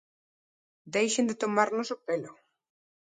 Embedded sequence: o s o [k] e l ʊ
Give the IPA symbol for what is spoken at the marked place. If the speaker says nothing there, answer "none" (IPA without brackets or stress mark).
p